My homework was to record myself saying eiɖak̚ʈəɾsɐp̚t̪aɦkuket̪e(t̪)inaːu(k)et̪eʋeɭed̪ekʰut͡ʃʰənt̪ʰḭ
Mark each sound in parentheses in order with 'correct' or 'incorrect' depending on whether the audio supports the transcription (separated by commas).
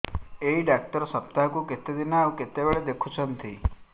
incorrect, correct